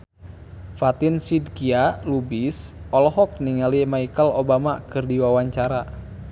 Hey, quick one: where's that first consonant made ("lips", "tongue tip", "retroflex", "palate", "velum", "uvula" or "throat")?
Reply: lips